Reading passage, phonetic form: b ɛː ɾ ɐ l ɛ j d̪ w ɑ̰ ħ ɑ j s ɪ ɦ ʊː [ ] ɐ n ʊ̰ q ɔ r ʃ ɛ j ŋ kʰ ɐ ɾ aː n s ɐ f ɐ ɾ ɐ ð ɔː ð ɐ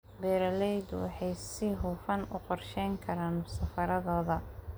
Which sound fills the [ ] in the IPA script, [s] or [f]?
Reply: f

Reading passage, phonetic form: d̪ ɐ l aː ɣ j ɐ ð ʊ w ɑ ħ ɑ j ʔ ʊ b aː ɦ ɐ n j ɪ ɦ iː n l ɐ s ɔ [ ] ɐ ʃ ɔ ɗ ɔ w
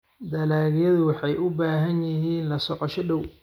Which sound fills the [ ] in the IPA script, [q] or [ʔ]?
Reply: q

